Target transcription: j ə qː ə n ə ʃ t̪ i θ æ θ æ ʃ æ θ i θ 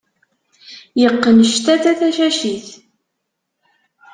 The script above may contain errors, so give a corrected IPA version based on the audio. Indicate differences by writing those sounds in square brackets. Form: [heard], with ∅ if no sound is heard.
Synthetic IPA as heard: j ə qː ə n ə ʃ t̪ [æ] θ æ θ æ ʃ æ [ʃ] i θ